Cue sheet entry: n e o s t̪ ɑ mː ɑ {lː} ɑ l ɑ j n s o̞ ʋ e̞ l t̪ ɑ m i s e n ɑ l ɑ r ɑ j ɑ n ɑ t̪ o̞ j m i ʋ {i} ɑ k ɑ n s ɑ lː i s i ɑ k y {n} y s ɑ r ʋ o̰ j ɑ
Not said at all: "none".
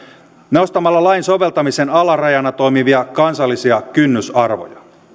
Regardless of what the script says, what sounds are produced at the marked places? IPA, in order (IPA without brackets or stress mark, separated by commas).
lː, i, nː